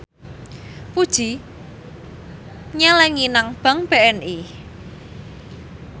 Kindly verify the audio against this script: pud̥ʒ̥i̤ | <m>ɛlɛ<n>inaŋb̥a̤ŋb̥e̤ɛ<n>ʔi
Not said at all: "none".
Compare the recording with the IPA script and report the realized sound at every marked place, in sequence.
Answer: ɲ, ŋ, n

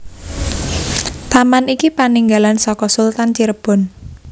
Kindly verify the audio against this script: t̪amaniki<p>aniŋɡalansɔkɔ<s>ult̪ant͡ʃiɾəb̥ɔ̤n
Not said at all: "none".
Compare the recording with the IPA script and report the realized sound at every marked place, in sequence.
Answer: p, s

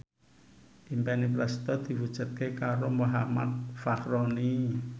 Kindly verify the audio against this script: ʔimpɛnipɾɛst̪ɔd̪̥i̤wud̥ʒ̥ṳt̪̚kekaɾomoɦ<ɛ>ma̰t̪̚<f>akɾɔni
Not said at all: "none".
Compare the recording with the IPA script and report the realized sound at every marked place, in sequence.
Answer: a, f

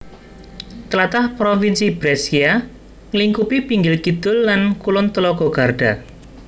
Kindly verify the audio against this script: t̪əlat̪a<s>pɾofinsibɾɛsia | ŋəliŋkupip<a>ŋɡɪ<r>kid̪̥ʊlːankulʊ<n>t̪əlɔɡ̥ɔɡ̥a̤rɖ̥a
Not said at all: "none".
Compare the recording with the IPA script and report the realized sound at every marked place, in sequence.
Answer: h, i, l, n

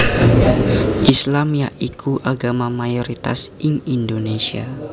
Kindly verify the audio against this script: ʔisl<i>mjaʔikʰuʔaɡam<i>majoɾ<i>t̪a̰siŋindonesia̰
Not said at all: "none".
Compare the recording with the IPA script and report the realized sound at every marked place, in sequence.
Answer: a, a, i

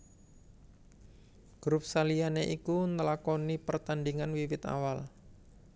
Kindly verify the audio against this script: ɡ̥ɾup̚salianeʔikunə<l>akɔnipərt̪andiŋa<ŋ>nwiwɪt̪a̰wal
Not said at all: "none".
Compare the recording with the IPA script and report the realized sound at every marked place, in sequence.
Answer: l, none

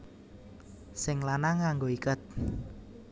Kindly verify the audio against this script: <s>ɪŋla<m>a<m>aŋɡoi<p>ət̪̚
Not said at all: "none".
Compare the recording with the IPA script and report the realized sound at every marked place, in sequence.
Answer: s, n, ŋ, k

